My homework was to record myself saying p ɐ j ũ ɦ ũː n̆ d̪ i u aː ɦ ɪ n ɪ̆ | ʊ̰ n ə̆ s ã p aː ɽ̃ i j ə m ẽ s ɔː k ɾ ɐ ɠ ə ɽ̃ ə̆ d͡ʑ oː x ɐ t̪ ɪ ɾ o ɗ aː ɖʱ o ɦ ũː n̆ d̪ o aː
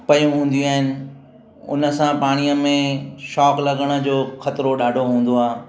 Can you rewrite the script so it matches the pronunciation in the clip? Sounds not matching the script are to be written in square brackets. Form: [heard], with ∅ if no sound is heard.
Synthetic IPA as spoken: p ɐ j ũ ɦ ũː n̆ d̪ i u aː ɦ ɪ n ɪ̆ | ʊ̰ n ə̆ s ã p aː ɽ̃ i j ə m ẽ [ʃ] ɔː k [l] ɐ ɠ ə ɽ̃ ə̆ d͡ʑ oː x ɐ t̪ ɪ ɾ o ɗ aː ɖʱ o ɦ ũː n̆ d̪ o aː